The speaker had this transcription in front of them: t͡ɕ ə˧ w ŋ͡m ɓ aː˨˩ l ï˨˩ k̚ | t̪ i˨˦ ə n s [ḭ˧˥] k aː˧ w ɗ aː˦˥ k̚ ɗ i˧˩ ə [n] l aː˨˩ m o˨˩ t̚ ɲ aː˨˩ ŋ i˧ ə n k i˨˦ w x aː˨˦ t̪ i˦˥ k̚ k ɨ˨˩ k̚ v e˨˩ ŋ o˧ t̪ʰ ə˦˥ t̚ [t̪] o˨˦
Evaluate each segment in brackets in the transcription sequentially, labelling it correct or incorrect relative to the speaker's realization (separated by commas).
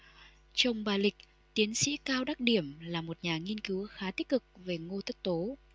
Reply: correct, incorrect, correct